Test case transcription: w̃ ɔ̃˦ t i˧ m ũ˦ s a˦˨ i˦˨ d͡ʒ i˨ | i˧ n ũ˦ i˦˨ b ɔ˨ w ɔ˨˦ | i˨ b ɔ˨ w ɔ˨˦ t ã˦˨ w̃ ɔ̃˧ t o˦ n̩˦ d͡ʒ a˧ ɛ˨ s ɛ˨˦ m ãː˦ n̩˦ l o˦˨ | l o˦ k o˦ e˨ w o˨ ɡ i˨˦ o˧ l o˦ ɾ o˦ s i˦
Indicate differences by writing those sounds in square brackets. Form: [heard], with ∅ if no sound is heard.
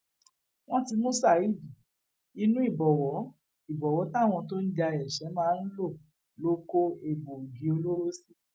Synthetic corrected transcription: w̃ ɔ̃˦ t i˧ m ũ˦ s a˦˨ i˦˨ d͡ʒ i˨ | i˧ n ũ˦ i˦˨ b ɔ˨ w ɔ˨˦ | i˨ b ɔ˨ w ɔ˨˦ t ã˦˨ w̃ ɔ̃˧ t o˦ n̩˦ d͡ʒ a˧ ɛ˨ [ʃ] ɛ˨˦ m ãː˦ n̩˦ l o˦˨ | l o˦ k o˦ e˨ [b] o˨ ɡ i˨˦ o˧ l o˦ ɾ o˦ s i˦